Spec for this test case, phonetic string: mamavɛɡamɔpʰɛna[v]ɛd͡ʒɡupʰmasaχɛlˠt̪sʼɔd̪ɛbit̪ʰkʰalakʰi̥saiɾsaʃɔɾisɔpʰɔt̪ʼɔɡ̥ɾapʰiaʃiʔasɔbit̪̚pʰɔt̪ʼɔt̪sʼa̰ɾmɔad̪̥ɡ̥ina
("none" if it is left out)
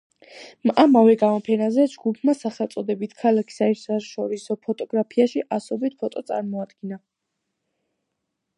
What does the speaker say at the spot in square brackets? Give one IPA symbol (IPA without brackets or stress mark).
z